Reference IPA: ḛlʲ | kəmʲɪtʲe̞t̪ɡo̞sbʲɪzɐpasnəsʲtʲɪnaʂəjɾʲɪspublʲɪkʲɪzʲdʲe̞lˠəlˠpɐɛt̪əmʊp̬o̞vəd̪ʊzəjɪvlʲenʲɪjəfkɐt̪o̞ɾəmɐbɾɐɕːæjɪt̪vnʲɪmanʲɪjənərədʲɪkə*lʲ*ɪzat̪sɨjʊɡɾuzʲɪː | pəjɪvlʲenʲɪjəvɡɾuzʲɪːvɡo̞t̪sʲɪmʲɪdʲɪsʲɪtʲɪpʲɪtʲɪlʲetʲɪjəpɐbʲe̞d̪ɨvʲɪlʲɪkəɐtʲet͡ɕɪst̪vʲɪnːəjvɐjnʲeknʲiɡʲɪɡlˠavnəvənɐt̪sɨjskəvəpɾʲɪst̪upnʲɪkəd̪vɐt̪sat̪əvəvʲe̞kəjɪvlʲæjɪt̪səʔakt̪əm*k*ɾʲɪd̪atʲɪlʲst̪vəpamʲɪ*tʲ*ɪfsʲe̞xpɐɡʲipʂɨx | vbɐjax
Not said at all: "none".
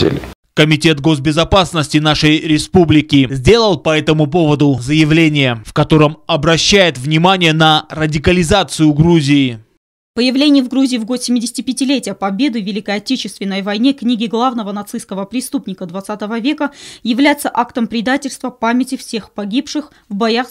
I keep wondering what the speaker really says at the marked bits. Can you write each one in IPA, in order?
lʲ, p, tʲ

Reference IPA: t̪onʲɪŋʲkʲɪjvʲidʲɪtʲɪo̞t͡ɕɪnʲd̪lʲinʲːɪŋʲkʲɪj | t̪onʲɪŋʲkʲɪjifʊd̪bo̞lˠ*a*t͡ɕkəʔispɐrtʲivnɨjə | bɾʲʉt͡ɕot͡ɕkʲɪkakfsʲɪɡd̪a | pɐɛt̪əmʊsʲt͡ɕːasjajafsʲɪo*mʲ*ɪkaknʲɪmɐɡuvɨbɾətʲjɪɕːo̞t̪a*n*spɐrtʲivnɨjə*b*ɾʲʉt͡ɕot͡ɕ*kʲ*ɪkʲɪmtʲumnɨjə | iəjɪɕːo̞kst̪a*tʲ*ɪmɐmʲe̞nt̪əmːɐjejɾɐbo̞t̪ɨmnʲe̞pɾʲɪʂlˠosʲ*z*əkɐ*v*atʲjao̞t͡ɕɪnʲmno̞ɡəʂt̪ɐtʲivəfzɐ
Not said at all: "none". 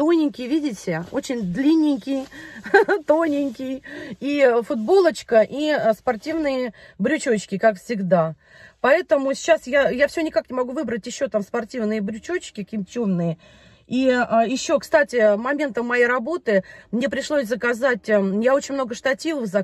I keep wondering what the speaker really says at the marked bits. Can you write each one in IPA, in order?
ə, nʲ, m, b, kʲ, tʲ, z, z

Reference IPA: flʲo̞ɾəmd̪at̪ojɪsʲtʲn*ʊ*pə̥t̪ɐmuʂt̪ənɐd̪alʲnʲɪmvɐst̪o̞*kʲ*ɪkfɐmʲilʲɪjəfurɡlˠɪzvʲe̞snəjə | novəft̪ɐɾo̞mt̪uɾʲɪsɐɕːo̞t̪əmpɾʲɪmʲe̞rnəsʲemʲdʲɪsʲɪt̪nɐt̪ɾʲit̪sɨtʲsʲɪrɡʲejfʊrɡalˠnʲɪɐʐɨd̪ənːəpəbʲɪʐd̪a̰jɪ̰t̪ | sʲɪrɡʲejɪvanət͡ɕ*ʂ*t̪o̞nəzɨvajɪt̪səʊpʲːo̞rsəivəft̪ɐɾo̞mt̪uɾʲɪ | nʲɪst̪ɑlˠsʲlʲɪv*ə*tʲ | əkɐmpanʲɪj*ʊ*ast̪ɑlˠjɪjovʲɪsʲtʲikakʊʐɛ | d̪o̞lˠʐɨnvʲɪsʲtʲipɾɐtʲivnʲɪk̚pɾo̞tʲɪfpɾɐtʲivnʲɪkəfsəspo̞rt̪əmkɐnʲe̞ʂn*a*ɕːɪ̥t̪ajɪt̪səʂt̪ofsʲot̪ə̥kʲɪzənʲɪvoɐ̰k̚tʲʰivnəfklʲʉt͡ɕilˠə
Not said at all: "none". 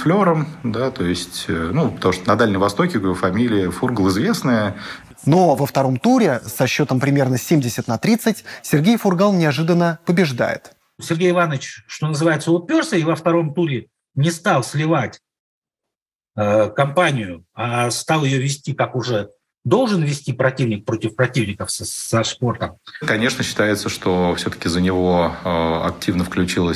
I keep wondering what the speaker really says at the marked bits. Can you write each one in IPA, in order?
u, kʲ, ʂ, a, ʊ, ə

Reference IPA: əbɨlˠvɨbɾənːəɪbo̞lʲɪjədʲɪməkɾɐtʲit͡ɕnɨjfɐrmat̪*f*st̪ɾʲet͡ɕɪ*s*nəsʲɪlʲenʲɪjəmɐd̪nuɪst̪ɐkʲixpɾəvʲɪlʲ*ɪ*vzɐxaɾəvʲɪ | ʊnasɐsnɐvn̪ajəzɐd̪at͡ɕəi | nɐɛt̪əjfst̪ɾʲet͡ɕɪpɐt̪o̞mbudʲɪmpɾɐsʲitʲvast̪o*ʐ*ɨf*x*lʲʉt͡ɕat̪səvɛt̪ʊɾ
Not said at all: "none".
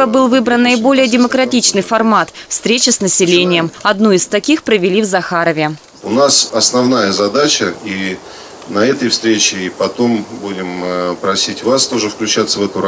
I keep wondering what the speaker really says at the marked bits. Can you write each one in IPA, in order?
f, s, i, ʐ, k

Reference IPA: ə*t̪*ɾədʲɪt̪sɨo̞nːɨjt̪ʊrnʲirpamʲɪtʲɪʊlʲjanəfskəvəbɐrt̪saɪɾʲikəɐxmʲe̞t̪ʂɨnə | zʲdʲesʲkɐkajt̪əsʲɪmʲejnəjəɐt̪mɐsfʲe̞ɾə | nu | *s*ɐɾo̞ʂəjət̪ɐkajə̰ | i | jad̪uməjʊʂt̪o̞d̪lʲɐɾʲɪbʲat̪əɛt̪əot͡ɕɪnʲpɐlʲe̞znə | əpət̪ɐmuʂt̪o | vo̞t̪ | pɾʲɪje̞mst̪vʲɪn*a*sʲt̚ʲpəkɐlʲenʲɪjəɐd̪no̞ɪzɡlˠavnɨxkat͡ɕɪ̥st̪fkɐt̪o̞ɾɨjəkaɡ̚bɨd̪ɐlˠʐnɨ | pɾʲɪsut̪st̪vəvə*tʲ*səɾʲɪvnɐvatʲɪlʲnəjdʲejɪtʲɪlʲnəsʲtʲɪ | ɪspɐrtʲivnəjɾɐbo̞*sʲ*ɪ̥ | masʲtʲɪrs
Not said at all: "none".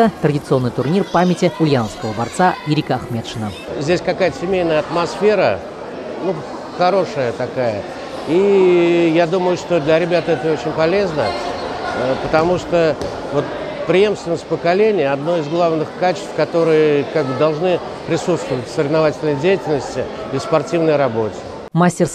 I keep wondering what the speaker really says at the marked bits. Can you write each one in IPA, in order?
t̪, x, ə, tʲ, tʲ

